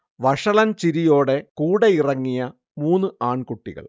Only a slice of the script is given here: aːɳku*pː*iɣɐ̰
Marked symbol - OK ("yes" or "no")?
no